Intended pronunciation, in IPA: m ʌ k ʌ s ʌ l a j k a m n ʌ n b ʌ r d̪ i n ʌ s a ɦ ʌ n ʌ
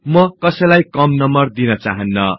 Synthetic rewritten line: m ʌ k ʌ s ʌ l a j k ʌ m n ʌ m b ʌ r d̪ i n ʌ t͡s a ɦ ʌ nː ʌ